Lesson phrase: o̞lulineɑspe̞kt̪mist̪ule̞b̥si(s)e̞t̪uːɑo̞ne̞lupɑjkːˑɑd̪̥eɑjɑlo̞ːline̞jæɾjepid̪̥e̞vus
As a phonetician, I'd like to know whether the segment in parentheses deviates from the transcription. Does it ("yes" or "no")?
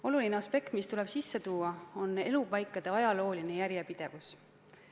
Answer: yes